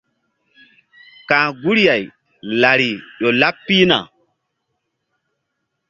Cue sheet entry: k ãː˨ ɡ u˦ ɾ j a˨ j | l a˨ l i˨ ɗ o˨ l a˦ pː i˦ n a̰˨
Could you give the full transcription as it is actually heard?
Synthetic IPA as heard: k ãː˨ ɡ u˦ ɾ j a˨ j | l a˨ ɾ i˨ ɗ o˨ l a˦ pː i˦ n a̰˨

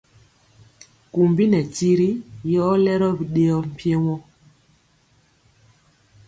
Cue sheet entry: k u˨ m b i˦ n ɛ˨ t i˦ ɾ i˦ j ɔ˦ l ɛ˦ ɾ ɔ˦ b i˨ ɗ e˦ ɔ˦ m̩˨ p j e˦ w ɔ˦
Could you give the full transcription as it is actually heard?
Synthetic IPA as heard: k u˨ m b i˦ n ɛ˨ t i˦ ɾ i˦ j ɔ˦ l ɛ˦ ɾ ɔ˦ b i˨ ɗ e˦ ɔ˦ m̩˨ p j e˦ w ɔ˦

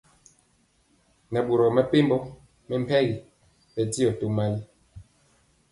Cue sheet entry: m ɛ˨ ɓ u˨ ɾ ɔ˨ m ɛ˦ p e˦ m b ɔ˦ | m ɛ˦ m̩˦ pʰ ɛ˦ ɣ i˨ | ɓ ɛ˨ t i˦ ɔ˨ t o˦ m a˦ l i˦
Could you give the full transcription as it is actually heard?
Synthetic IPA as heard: n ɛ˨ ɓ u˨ ɾ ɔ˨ m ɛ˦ p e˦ m b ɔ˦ | m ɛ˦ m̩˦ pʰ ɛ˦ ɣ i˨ | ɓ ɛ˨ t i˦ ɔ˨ t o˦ m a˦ l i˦

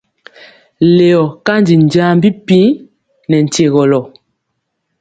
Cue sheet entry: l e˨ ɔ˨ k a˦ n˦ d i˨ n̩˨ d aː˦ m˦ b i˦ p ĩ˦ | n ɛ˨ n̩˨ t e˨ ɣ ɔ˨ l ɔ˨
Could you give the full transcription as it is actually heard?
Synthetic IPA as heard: l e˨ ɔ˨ k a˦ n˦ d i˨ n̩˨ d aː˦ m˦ b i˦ p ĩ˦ | n ɛ˨ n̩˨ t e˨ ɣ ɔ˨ l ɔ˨

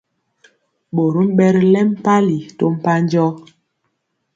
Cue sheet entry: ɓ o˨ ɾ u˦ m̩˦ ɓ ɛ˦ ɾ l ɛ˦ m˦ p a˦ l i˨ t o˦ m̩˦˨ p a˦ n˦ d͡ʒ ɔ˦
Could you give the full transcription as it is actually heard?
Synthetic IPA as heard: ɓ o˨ ɾ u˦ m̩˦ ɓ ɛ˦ ɾ l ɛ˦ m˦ p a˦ l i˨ t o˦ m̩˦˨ p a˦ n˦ d͡ʒ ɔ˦

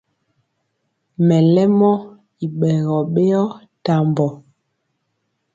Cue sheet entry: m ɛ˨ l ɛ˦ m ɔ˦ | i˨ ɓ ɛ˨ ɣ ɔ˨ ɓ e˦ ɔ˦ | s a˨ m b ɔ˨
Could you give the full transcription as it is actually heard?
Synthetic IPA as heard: m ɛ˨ l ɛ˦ m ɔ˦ | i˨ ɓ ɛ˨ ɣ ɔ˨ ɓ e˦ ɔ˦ | t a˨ m b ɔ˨

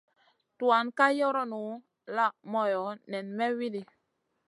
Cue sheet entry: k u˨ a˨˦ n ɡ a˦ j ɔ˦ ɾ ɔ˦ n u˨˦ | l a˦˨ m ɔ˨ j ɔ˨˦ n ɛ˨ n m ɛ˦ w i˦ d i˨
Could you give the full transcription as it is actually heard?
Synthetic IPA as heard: t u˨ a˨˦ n k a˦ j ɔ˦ ɾ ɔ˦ n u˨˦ | l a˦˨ m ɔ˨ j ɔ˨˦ n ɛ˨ n m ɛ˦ w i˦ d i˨

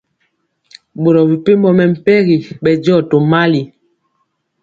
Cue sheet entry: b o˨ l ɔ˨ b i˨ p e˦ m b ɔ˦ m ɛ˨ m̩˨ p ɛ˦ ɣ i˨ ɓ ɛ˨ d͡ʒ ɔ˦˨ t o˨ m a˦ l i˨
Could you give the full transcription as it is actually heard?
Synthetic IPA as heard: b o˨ ɾ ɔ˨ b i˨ p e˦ m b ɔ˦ m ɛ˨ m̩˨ p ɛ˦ ɣ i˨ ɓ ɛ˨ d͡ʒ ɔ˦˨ t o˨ m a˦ l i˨

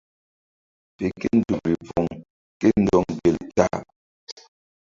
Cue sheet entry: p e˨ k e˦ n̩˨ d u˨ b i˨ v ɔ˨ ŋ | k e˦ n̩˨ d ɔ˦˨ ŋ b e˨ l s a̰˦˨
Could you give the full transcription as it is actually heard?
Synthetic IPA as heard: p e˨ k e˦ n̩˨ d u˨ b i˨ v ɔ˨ ŋ | k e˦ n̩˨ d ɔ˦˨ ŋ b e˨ l t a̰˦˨

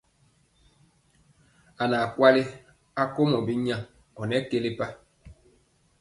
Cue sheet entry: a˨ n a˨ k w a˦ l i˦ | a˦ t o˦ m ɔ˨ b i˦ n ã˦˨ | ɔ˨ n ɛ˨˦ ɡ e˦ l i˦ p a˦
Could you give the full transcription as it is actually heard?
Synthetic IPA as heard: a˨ n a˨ k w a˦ l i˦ | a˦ k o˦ m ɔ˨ b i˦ ɲ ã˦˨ | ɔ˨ n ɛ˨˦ k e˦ l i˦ p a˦

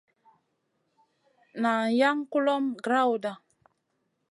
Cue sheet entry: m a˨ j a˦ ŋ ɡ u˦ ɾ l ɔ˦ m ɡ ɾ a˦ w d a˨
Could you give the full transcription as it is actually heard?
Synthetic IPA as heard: n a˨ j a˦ ŋ k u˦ l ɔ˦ m ɡ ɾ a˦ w d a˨

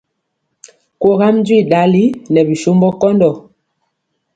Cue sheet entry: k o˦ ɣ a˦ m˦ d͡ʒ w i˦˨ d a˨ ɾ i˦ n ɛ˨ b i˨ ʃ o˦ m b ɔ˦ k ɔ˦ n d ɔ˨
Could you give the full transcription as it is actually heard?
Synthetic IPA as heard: k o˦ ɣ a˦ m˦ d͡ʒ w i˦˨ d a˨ l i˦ n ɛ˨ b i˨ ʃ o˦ m b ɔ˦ k ɔ˦ n d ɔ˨

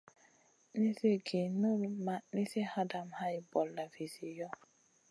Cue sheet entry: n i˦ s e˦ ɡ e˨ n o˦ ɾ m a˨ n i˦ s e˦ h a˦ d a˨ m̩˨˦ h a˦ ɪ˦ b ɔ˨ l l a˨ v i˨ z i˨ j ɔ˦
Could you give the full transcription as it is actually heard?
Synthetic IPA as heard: n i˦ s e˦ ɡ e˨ n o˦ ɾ m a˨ n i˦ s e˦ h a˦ d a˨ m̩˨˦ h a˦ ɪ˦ b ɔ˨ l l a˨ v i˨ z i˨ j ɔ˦

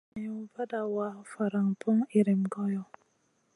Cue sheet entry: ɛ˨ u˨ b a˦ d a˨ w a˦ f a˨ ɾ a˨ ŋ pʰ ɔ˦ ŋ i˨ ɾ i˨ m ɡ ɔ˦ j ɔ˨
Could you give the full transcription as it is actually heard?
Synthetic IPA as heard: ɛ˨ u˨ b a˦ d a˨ w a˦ f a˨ ɾ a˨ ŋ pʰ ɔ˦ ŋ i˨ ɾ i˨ m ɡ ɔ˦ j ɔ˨

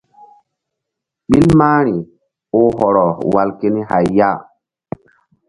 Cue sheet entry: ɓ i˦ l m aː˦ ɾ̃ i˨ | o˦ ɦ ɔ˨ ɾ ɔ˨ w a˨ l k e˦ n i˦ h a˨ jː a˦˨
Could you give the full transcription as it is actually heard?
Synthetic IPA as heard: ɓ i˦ l m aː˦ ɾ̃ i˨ | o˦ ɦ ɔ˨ ɾ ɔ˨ w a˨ l k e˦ n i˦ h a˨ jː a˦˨

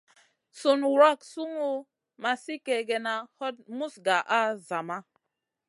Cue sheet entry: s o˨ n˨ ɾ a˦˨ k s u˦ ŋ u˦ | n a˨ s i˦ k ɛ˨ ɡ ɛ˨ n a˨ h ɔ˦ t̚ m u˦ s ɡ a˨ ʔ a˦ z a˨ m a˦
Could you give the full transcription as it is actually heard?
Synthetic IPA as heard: s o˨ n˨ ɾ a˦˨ k s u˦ ŋ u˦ | m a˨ s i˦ k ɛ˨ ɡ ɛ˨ n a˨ h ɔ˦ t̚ m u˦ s ɡ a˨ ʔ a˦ z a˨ m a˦

